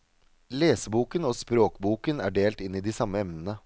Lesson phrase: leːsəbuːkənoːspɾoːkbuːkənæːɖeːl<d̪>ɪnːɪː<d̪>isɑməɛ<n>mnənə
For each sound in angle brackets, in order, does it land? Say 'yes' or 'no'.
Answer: no, yes, no

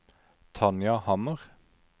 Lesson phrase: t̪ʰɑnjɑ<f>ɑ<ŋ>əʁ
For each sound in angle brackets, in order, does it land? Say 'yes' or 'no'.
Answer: no, no

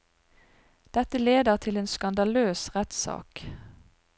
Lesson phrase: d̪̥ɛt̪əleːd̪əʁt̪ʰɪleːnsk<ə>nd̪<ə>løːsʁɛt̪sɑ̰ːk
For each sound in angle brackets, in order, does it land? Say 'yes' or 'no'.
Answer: no, no

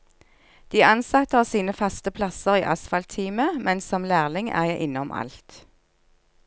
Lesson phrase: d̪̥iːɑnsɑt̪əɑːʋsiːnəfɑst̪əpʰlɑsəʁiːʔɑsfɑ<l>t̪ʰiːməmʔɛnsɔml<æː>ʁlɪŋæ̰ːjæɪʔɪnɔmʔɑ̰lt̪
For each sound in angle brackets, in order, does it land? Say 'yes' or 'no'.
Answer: yes, yes

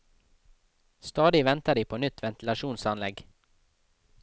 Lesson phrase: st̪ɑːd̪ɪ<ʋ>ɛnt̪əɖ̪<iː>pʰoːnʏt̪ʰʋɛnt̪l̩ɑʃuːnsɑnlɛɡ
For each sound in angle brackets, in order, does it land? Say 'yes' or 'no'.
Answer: yes, yes

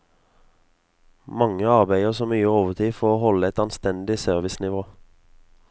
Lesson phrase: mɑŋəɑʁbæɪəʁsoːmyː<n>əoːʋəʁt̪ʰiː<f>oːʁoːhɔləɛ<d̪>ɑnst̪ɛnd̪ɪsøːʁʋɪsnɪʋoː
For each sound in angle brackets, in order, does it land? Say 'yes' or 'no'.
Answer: no, yes, no

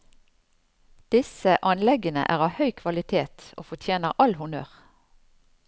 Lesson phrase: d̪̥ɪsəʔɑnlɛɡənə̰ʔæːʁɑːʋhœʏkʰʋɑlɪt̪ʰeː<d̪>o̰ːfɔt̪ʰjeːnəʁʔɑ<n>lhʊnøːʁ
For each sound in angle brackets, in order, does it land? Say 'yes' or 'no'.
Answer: no, no

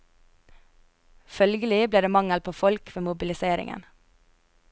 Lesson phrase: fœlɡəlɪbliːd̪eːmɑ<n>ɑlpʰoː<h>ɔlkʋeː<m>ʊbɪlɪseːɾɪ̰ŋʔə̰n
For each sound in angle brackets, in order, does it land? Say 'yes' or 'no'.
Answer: no, no, yes

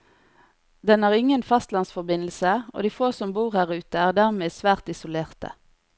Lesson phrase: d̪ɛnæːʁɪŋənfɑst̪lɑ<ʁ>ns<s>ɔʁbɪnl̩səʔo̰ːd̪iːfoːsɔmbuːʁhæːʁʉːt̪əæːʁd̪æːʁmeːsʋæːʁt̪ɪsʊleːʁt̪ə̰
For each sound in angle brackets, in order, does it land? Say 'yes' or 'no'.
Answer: no, no

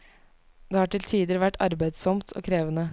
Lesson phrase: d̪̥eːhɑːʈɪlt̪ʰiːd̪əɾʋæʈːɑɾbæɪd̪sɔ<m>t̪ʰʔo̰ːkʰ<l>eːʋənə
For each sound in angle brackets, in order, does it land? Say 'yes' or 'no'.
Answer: yes, no

